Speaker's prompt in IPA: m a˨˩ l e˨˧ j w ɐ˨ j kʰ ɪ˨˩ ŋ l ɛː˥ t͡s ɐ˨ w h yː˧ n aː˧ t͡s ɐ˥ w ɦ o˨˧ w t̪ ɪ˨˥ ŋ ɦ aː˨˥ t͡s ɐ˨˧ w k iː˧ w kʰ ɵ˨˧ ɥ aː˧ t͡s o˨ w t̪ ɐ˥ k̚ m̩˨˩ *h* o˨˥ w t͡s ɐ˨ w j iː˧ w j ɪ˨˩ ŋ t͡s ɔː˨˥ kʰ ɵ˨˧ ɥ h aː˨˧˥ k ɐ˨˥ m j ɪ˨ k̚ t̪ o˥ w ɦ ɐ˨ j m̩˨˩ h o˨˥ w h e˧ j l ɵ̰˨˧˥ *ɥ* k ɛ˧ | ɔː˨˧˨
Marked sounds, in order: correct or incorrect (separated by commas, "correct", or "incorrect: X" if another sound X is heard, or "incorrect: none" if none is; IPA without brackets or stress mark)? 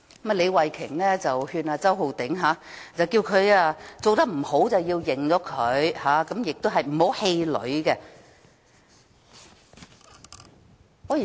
correct, correct